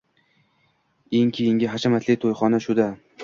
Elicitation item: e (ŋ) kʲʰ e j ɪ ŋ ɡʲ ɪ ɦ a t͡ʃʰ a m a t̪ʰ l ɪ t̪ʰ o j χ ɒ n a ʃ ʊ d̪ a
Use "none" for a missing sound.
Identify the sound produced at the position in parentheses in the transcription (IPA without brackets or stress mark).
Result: ŋ